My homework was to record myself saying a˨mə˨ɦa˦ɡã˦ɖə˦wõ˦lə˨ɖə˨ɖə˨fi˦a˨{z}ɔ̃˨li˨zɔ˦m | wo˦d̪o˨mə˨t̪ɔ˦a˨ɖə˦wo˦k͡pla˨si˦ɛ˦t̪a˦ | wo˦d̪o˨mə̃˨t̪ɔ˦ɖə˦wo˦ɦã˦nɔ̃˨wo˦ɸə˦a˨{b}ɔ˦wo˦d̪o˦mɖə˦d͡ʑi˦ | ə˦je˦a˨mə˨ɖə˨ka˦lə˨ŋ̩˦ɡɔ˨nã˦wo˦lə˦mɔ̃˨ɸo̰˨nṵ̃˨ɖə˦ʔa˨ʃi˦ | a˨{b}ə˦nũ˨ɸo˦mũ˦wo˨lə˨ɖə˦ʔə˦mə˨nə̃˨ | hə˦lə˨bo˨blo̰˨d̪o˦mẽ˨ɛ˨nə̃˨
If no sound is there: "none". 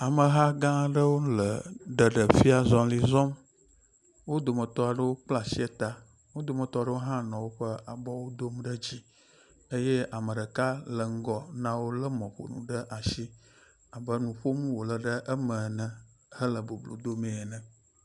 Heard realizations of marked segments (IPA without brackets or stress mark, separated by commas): z, b, b